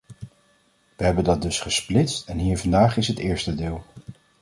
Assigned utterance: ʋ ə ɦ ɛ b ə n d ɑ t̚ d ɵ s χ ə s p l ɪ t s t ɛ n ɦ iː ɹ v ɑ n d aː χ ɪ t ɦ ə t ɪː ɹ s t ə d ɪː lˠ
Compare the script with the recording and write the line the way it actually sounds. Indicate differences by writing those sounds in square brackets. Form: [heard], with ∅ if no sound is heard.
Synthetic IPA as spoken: ʋ ə ɦ ɛ b ə n d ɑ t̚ d ɵ s χ ə s p l ɪ t s t ɛ n ɦ iː ɹ v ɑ n d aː χ ɪ [s] ɦ ə t ɪː ɹ s t ə d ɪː lˠ